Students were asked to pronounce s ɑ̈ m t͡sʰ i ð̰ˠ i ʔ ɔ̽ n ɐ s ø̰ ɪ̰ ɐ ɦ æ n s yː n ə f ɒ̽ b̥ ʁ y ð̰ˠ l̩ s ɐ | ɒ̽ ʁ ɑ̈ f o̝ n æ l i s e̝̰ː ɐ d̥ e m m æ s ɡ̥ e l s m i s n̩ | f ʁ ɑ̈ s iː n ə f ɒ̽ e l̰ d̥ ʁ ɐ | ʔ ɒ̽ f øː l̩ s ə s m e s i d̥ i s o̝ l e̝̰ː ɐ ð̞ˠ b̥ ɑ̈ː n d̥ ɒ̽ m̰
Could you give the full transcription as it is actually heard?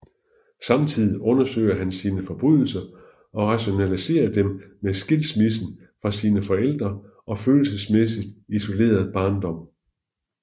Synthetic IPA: s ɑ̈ m t͡sʰ i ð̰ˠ i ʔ ɔ̽ n ɐ s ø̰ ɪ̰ ɐ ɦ æ n s iː n ə f ɒ̽ b̥ ʁ y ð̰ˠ l̩ s ɐ | ɒ̽ ʁ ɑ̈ ɕ o̝ n æ l i s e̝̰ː ɐ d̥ e m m e s ɡ̥ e l s m i s n̩ | f ʁ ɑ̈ s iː n ə f ɒ̽ e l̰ d̥ ʁ ɐ | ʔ ɒ̽ f øː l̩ s ə s m e s i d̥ i s o̝ l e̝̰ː ɐ ð̞ˠ b̥ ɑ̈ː n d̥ ɒ̽ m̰